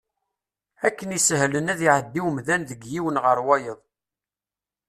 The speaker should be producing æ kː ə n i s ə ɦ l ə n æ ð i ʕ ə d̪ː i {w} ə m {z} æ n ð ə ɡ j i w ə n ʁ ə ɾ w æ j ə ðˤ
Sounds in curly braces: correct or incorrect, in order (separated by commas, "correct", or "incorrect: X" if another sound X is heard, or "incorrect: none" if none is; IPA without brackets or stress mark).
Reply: correct, incorrect: ð